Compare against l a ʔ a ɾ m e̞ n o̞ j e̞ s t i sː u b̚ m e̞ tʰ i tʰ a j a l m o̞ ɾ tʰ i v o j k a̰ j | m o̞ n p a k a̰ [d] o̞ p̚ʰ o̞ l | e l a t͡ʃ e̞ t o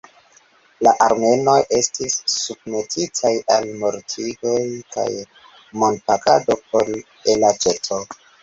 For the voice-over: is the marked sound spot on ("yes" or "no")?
yes